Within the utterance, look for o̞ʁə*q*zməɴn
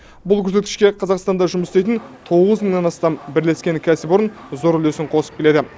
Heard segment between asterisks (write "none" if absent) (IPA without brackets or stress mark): none